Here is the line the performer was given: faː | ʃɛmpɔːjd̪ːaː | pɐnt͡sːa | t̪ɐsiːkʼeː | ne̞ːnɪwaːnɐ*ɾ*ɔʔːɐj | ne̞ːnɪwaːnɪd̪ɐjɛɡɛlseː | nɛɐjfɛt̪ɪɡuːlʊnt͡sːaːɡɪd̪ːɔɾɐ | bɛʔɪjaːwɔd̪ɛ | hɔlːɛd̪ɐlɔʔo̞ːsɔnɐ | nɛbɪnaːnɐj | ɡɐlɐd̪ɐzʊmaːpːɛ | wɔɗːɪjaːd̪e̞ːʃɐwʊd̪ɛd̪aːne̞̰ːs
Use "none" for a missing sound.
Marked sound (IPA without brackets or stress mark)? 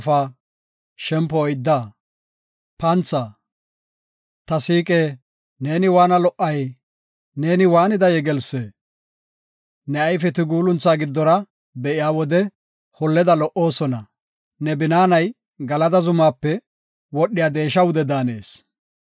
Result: l